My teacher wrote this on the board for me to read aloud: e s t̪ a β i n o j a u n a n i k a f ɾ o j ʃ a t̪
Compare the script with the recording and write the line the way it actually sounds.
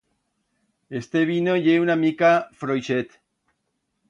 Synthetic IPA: e s t̪ e β i n o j e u n a m i k a f ɾ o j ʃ e t̪